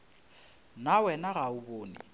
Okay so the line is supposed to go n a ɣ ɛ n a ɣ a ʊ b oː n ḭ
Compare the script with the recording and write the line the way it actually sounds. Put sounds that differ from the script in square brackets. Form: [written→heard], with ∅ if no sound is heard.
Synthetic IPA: n a [ɣ→w] ɛ n a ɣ a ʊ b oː n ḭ